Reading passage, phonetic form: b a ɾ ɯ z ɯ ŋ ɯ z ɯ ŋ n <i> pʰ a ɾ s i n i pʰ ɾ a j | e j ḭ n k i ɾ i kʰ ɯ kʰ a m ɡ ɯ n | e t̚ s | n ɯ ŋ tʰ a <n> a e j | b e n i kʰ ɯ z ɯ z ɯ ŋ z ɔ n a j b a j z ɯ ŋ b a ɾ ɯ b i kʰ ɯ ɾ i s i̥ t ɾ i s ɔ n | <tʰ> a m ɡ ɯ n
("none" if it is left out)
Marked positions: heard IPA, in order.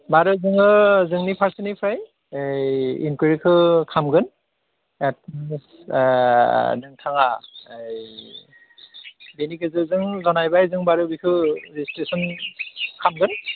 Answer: i, ŋ, kʰ

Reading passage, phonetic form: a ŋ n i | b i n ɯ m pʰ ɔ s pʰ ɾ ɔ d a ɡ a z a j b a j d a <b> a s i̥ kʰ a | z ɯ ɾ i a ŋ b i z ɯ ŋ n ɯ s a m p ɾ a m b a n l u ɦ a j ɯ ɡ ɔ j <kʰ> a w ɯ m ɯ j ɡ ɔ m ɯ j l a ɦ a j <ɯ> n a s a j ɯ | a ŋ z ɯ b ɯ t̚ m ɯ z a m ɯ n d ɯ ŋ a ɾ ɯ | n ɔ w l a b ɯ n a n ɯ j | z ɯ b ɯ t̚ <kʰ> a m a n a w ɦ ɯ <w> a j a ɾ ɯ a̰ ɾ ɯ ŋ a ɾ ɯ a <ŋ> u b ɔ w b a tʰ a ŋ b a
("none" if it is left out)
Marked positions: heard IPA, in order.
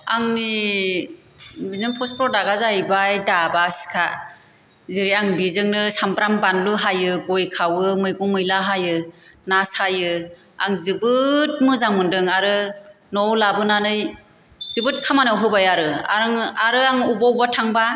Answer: b, kʰ, ɯ, kʰ, b, ŋ

